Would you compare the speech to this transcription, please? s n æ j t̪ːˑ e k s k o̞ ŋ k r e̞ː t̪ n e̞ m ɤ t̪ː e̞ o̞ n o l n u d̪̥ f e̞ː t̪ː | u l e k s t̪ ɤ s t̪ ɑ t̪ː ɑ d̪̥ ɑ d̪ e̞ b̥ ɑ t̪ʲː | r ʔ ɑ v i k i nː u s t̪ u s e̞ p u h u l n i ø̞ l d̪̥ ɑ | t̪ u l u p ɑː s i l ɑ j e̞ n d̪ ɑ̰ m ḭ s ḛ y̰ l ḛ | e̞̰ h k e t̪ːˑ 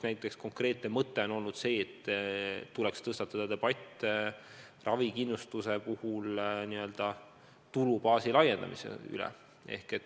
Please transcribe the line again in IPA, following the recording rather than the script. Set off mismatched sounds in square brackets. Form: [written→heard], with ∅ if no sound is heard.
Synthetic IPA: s n æ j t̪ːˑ e k s k o̞ ŋ k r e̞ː t̪ n e̞ m ɤ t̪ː e̞ o̞ n o l n u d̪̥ [f→s] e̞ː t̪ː | u l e k s t̪ ɤ s t̪ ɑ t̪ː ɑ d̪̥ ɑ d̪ e̞ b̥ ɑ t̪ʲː | r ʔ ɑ v i k i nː u s t̪ u s e̞ p u h u l n i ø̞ l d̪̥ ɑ | t̪ u l u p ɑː s i l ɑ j e̞ n d̪ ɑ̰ m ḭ s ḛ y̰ l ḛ | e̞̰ h k e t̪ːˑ

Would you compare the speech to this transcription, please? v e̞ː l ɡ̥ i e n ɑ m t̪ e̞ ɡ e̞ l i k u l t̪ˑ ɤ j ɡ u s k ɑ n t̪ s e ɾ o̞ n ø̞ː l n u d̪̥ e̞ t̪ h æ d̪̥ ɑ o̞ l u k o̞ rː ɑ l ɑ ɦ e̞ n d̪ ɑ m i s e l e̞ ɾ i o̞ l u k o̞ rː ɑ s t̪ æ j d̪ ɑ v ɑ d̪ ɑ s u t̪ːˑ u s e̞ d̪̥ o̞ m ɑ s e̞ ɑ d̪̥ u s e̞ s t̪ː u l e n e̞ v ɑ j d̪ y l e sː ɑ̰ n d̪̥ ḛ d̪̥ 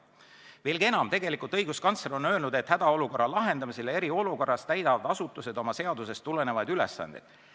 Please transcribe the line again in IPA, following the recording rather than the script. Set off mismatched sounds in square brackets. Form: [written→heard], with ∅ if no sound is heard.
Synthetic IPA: v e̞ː l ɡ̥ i e n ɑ m t̪ e̞ ɡ e̞ l i k u l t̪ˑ ɤ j ɡ u s k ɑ n t̪ s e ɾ o̞ n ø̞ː l n u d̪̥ e̞ t̪ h æ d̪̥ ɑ o̞ l u k o̞ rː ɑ l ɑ ɦ e̞ n d̪ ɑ m i s e l e̞ ɾ i o̞ l u k o̞ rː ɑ s t̪ æ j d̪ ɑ v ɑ d̪ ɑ s u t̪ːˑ u s e̞ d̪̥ o̞ m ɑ s e̞ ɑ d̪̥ u s e̞ s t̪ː u l e n e̞ v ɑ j d̪ y l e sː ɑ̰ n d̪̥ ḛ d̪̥

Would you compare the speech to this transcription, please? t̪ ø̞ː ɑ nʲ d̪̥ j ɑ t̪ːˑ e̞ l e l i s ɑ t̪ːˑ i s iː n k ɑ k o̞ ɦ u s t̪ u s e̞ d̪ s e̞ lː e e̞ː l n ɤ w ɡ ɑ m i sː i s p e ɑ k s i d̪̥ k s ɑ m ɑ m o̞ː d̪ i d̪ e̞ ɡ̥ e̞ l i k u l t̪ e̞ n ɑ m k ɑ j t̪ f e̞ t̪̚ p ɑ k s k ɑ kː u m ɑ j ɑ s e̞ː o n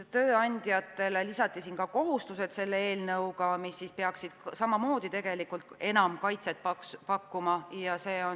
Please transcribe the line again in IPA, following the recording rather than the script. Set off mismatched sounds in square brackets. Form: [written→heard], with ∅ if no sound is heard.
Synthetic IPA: t̪ ø̞ː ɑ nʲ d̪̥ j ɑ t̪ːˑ e̞ l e l i s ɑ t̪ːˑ i s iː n k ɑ k o̞ ɦ u s t̪ u s e̞ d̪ s e̞ lː e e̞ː l n ɤ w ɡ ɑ m i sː i s p e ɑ k s i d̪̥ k s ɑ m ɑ m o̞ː d̪ i [d̪→t̪] e̞ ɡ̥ e̞ l i k u l t̪ e̞ n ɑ m k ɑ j t̪ [f→s] e̞ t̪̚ p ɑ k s [k→p] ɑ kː u m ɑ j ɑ s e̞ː o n

